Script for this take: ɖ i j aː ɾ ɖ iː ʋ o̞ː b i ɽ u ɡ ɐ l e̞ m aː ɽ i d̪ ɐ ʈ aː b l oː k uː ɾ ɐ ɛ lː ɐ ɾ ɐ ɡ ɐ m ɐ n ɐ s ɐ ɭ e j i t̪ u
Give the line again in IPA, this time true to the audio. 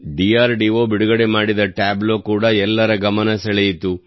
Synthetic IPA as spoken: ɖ i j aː ɾ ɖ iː ʋ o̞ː b i ɽ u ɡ ɐ ɽ e̞ m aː ɽ i d̪ ɐ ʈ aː b l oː k uː ɽ ɐ ɛ lː ɐ ɾ ɐ ɡ ɐ m ɐ n ɐ s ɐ ɭ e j i t̪ u